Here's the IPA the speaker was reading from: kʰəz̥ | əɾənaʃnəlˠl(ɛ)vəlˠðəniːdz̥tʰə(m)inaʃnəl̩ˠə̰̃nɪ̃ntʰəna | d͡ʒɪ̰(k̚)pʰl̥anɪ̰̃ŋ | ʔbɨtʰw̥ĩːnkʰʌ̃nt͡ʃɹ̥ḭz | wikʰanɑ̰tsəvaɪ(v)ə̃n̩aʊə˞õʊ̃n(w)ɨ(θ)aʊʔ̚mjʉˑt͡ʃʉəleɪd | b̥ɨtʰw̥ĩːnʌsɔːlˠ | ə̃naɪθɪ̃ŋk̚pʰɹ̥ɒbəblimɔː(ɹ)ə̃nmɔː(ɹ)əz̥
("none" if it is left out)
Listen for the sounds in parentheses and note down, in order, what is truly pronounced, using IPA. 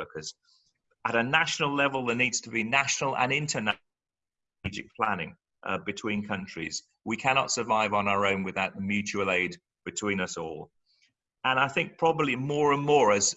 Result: ɛ, b, k̚, v, w, ð, ɹ, ɹ

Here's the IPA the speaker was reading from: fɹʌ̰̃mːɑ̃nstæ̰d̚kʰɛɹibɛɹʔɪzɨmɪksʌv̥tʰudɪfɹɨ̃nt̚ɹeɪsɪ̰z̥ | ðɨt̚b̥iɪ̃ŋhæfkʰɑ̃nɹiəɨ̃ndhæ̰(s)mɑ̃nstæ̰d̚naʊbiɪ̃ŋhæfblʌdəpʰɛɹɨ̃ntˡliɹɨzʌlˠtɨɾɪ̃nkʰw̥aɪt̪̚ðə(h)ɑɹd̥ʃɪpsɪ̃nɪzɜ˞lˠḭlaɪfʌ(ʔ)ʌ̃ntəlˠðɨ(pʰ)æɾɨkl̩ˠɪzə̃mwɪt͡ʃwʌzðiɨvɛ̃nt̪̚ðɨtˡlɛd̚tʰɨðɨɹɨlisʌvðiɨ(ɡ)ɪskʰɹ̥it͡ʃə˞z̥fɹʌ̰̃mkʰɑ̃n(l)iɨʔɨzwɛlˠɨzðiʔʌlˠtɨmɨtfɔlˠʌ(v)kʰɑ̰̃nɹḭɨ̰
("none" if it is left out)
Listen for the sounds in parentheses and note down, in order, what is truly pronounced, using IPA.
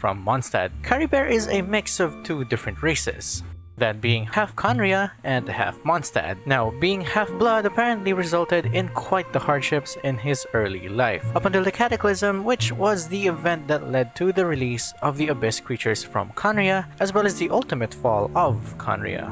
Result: f, h, p, kʰ, b, ɹ, v

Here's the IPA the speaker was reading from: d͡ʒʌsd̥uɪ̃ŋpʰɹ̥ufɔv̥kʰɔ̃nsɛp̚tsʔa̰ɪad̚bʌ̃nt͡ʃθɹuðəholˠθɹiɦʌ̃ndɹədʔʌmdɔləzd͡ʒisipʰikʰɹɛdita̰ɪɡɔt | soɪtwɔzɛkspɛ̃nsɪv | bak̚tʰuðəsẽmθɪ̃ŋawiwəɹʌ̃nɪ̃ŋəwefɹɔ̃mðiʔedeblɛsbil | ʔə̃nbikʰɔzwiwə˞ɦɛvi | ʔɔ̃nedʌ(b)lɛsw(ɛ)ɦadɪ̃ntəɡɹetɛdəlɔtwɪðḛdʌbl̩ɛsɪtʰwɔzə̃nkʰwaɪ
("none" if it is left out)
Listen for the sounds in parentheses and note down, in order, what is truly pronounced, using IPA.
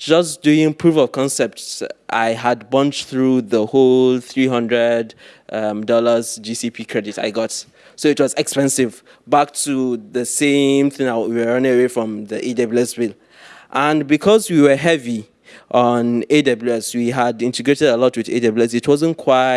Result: b, i

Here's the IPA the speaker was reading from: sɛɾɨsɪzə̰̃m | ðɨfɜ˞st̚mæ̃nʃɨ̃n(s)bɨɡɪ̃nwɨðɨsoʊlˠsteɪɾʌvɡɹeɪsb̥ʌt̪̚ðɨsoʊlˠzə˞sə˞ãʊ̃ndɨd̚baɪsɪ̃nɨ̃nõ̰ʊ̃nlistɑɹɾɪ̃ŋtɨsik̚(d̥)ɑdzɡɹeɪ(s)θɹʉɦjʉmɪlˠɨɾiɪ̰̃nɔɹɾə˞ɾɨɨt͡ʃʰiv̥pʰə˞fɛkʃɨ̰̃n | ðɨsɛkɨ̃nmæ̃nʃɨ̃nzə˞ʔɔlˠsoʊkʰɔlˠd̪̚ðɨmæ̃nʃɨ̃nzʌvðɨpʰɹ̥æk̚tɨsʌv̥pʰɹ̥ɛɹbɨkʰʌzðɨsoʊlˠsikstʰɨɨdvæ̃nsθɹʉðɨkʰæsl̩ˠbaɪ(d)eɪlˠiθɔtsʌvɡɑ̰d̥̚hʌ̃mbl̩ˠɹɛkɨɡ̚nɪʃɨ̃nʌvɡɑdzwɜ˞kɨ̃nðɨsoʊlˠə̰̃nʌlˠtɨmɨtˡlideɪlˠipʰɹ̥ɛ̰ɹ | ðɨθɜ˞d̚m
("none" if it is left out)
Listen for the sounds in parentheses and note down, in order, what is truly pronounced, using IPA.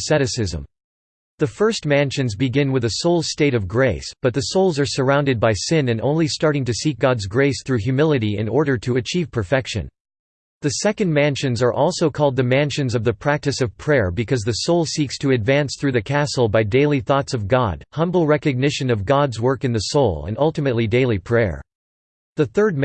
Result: z, ɡ̥, s, d

